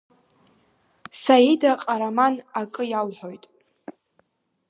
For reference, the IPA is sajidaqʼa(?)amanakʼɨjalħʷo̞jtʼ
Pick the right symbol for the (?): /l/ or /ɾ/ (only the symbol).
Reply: ɾ